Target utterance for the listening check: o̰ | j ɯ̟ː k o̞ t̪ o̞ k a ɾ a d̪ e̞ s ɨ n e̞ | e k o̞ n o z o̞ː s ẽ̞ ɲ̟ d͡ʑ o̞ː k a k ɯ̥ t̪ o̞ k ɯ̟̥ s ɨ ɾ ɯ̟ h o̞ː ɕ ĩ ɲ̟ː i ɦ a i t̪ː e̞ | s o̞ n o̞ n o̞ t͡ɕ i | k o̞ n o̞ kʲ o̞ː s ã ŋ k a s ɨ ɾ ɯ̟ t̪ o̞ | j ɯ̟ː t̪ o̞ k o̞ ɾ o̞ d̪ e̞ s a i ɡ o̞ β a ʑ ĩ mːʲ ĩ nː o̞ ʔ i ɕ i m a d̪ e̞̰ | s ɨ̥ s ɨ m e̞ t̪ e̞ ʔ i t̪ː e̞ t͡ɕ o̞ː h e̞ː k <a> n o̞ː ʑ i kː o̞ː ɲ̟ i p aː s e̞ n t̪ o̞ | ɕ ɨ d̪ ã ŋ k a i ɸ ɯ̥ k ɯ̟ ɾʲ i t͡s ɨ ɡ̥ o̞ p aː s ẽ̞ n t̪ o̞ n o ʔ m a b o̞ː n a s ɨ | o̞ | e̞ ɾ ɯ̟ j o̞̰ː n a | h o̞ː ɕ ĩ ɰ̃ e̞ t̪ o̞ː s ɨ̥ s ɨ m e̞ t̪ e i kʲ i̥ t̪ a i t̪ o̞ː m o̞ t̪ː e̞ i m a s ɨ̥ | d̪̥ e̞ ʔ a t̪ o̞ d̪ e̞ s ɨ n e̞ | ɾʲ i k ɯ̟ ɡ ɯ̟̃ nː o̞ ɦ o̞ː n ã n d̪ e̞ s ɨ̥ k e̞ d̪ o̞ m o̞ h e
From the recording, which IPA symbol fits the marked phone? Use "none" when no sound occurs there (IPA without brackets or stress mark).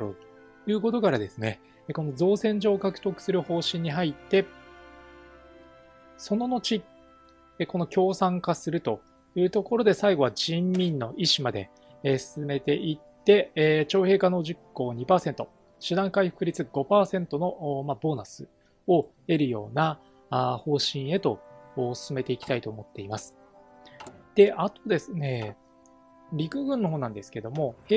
a